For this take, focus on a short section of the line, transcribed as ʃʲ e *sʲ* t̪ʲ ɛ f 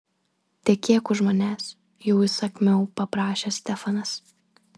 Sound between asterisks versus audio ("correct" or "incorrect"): correct